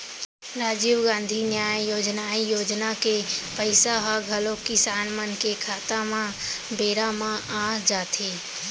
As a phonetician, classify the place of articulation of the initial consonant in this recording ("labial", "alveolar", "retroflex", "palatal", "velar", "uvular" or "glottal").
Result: alveolar